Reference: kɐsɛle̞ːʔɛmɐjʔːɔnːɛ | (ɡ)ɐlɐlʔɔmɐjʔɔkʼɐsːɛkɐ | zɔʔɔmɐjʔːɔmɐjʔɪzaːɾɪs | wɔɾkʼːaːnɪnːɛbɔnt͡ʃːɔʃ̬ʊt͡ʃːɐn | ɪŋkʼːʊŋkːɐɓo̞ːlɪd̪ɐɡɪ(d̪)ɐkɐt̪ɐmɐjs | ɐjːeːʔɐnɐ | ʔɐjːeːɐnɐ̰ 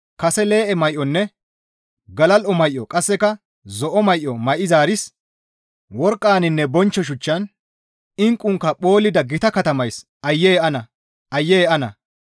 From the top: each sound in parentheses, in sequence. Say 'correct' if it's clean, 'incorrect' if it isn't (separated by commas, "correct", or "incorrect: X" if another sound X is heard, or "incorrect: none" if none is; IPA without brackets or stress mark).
correct, incorrect: t̪